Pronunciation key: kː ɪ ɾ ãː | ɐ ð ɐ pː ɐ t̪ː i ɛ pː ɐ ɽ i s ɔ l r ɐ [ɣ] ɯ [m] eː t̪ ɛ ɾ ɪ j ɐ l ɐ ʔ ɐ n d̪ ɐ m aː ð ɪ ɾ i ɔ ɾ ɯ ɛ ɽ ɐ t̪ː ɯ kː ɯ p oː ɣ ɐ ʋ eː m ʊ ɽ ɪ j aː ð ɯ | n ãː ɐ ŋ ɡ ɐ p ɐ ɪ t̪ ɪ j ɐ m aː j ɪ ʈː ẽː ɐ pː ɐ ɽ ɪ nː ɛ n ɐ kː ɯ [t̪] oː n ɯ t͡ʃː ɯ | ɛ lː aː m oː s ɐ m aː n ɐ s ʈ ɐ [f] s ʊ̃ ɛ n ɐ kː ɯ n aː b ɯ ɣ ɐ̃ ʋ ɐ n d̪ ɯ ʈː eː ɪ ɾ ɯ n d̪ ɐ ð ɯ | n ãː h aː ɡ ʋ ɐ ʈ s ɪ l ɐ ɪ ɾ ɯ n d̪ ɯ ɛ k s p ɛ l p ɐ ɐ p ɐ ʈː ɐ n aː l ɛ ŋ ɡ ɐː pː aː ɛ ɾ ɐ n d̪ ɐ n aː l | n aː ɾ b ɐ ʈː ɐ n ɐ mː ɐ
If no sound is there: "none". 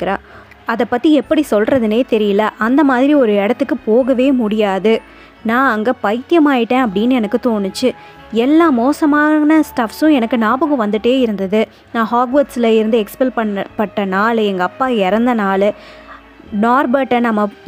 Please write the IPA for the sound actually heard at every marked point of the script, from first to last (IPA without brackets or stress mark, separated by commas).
ð, n, t̪, f